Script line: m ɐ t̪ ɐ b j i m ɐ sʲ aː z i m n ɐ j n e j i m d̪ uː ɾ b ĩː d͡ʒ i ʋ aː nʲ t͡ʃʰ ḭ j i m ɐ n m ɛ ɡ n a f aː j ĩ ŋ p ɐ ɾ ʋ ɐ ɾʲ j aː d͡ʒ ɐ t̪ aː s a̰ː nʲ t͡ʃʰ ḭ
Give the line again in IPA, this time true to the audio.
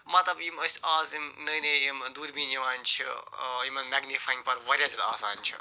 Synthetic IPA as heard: m ɐ t̪ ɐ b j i m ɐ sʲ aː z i m n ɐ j n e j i m d̪ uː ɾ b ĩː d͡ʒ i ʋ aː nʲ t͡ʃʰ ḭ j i m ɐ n m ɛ ɡ n i f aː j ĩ ŋ p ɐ ɾ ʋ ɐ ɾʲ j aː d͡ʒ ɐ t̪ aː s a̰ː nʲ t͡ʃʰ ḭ